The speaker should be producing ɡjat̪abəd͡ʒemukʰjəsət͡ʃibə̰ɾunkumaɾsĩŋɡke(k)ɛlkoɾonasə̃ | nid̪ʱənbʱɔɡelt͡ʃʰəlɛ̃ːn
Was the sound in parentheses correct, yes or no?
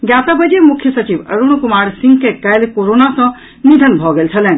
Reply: yes